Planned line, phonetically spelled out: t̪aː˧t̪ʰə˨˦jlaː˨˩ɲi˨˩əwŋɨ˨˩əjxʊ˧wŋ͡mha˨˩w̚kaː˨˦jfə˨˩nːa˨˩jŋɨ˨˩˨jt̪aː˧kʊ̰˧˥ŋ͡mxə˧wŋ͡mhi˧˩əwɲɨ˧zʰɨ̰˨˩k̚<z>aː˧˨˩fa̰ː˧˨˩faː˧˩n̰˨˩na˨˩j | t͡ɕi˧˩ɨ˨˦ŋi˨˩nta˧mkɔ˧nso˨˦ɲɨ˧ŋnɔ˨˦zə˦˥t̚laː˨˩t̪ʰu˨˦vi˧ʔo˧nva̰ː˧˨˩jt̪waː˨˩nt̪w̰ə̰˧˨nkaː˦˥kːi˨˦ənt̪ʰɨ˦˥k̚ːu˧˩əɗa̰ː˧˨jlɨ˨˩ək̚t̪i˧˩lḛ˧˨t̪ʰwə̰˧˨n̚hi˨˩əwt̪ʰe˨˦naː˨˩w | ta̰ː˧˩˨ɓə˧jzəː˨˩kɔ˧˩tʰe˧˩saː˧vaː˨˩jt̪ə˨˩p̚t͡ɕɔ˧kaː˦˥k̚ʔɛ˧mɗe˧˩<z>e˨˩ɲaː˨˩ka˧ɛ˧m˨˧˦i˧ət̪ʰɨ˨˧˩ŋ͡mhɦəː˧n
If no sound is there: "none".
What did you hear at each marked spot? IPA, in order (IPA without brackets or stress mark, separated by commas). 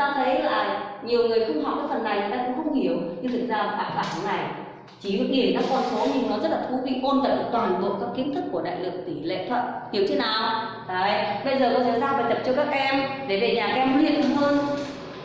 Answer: z, v